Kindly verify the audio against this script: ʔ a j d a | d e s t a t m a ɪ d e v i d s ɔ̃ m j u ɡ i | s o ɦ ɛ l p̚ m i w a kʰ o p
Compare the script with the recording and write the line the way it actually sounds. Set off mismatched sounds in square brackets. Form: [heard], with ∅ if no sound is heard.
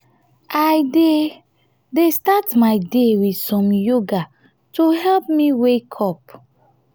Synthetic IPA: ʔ a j d [e] | d e s t a t m a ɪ d e [w] i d s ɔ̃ m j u ɡ [a] | [t] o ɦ ɛ l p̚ m i w [e] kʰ [ɔ] p